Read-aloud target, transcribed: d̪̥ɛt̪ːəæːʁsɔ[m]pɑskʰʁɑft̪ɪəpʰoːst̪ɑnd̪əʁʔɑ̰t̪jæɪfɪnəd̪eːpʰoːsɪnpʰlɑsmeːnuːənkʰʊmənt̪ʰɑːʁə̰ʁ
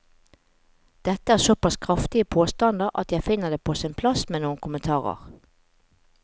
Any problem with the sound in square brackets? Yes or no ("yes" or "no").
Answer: yes